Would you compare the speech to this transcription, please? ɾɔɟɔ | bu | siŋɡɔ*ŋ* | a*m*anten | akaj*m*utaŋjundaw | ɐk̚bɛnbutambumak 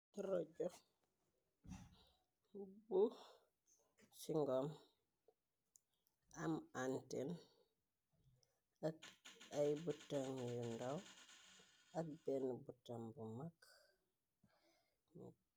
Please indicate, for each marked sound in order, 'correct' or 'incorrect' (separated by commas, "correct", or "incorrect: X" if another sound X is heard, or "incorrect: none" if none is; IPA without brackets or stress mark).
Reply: incorrect: m, correct, incorrect: b